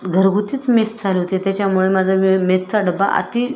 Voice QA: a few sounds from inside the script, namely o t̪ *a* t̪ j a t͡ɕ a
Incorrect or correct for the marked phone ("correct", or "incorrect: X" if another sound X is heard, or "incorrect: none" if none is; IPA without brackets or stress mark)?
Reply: incorrect: e